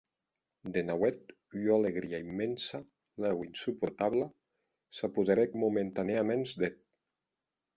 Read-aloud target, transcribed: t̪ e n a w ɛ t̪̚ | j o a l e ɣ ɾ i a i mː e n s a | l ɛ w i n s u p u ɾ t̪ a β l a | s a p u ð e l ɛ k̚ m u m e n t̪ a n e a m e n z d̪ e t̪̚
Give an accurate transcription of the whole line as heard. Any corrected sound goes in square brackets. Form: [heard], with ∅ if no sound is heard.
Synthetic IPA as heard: [d̪] e n a w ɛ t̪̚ | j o a l e ɣ ɾ i a i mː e n s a | l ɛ w i n s u p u ɾ t̪ a β l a | s a p u ð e [ɾ] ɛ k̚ m u m e n t̪ a n e a m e n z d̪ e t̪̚